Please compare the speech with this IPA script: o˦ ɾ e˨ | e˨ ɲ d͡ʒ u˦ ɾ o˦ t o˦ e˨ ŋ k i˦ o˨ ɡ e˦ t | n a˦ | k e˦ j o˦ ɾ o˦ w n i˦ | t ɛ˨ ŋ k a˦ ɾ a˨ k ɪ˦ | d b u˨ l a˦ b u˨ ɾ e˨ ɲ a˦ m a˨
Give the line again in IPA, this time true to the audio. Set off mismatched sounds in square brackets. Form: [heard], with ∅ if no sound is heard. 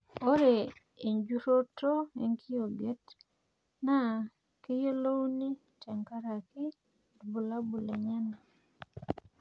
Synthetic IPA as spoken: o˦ ɾ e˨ | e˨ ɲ d͡ʒ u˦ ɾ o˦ t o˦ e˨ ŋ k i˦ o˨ ɡ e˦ t | n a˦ | k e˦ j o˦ [l] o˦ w n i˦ | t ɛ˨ ŋ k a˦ ɾ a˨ k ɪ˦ | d b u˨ l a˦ b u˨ [l] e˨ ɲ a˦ [n] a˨